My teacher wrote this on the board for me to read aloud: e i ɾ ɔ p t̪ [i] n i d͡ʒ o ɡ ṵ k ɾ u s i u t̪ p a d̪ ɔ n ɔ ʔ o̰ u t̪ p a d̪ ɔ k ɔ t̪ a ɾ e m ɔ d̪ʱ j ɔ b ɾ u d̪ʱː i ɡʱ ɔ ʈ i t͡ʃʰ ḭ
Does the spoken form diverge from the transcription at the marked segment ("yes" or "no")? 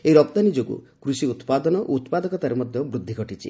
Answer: yes